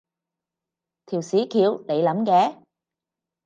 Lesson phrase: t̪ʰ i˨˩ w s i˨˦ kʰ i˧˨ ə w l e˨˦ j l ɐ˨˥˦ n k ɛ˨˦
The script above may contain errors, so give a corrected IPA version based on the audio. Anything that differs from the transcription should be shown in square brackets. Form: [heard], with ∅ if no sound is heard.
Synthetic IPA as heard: t̪ʰ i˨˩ w s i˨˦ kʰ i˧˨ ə w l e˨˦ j l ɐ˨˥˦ [m] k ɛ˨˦